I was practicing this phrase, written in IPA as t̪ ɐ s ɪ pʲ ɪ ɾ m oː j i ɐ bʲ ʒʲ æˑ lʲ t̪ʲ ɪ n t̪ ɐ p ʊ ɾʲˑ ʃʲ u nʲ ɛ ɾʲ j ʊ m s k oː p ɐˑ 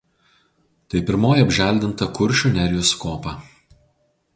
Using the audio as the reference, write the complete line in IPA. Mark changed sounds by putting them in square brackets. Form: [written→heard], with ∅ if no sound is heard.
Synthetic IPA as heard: t̪ ɐ [s→∅] ɪ pʲ ɪ ɾ m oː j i ɐ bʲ ʒʲ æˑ lʲ [t̪ʲ→d̪ʲ] ɪ n t̪ ɐ [p→k] ʊ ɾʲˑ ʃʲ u nʲ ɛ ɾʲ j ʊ [m→∅] s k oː p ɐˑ